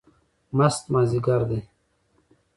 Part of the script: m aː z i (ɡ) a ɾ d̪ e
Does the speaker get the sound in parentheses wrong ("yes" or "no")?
no